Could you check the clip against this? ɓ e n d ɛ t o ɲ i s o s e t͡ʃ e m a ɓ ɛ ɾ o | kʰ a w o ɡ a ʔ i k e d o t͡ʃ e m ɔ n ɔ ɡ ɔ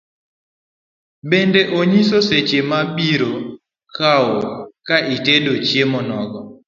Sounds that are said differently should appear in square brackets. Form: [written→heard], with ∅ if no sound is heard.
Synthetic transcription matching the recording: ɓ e n d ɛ [t→ʔ] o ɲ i s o s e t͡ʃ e m a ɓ [ɛ→i] ɾ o | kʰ a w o [ɡ→k] a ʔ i [k→t] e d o t͡ʃ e m ɔ n ɔ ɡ ɔ